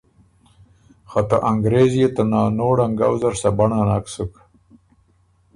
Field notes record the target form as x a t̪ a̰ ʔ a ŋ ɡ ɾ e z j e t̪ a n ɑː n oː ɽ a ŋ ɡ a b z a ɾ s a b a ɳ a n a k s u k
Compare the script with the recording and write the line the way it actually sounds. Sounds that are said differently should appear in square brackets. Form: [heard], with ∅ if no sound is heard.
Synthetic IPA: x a t̪ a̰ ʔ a ŋ ɡ ɾ e z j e t̪ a n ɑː n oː ɽ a ŋ ɡ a [w] z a ɾ s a b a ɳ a n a k s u k